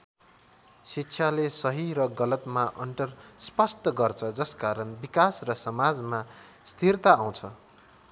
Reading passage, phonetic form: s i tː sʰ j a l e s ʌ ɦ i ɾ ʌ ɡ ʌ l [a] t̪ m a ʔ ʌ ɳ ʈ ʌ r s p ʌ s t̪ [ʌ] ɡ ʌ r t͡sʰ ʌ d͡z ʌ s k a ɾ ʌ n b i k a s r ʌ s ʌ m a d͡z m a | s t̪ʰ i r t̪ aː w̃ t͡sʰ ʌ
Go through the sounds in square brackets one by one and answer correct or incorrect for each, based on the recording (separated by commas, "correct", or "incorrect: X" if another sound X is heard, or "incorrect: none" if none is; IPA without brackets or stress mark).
incorrect: ʌ, correct